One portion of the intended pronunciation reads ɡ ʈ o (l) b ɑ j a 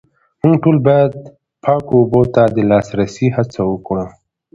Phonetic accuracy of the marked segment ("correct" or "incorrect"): correct